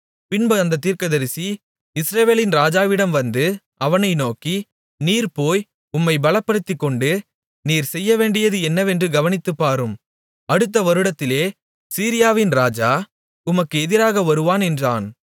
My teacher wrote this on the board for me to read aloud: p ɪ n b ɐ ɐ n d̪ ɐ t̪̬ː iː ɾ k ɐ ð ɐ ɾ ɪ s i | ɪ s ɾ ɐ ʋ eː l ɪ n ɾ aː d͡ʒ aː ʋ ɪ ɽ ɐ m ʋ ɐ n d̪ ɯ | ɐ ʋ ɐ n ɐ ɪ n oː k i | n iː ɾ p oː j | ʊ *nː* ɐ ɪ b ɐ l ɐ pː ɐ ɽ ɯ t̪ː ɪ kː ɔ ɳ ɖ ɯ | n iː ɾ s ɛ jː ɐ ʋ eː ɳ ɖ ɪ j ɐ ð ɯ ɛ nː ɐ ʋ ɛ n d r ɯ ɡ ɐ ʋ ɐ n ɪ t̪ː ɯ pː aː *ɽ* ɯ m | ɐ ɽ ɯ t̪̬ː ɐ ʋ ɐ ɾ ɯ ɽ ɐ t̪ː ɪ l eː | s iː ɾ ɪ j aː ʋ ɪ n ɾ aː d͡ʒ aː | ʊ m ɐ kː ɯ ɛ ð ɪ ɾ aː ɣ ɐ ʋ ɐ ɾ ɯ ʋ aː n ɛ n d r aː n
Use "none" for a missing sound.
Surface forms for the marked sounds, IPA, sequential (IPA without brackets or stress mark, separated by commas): mː, ɾ